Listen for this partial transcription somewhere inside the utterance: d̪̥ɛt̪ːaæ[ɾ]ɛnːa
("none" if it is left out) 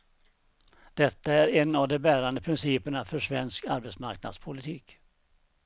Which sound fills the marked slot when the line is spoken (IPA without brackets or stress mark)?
ɾ